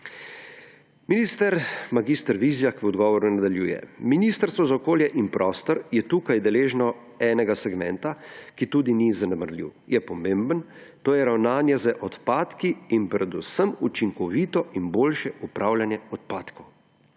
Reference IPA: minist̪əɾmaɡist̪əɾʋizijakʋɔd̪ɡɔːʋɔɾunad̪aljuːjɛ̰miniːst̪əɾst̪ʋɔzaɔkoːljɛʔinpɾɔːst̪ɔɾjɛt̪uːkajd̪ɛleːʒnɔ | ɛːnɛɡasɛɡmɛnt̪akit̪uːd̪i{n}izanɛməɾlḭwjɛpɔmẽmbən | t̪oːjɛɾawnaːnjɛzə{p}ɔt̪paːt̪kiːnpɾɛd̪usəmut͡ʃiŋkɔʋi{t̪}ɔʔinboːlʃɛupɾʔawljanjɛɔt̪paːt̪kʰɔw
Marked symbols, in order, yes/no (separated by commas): yes, no, yes